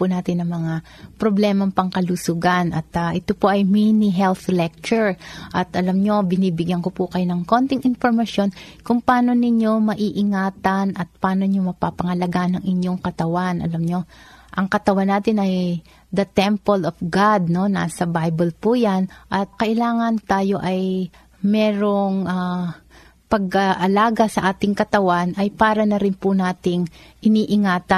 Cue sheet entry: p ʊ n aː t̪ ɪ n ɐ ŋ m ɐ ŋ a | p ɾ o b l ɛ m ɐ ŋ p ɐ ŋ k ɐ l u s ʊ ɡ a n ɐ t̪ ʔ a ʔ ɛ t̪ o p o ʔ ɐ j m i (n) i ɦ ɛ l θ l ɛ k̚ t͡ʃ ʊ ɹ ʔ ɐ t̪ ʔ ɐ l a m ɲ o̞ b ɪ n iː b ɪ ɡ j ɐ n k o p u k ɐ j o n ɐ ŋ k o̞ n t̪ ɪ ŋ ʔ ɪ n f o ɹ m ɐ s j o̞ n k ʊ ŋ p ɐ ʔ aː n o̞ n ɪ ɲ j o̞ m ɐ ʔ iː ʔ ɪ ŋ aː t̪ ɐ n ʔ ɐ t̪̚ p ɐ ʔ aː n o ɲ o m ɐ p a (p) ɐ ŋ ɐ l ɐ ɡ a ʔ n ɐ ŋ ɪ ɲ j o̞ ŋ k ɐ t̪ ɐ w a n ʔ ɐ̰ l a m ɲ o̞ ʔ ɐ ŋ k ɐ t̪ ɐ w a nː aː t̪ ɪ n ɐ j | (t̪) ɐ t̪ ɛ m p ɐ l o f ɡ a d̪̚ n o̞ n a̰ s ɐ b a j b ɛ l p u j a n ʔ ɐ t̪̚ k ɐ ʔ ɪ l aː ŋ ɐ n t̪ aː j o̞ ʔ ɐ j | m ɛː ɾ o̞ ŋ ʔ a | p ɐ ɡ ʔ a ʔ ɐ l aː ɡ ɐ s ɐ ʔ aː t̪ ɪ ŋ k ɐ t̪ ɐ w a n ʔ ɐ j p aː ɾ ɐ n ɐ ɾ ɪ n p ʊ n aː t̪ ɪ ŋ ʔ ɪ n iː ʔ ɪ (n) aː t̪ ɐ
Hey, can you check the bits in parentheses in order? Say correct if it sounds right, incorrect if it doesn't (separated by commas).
correct, correct, incorrect, incorrect